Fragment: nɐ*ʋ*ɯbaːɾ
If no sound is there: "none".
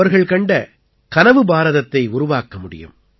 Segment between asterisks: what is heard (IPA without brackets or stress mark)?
ʋ